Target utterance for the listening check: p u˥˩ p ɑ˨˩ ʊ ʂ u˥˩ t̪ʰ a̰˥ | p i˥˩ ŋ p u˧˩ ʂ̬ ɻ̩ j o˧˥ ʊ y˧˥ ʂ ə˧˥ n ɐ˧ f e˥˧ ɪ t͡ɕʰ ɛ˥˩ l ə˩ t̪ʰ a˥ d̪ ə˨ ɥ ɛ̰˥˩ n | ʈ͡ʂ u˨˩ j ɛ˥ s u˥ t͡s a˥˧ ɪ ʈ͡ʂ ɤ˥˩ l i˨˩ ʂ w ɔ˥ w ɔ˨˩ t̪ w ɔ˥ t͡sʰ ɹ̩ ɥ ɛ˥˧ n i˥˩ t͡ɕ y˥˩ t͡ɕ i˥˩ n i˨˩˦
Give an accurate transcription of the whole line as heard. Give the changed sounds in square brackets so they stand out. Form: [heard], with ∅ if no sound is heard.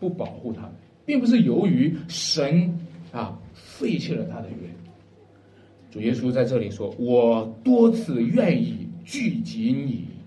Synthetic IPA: p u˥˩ p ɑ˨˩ ʊ [x] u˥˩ t̪ʰ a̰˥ | p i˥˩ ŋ p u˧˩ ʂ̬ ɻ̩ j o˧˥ ʊ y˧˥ ʂ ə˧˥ n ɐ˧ f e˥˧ ɪ t͡ɕʰ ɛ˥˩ l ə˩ t̪ʰ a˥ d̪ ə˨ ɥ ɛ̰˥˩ n | ʈ͡ʂ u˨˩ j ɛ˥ s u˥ t͡s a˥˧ ɪ ʈ͡ʂ ɤ˥˩ l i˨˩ ʂ w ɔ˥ w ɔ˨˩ t̪ w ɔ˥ t͡sʰ ɹ̩ ɥ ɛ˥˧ n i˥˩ t͡ɕ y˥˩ t͡ɕ [i˧˥] n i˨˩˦